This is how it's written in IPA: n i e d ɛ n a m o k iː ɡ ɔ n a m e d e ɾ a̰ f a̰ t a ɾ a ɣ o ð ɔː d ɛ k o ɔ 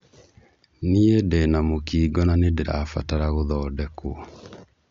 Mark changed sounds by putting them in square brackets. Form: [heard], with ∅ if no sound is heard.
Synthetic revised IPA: n i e d ɛ n a m o k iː ɡ ɔ n a [n] e d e ɾ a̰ f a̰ t a ɾ a ɣ o ð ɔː d ɛ k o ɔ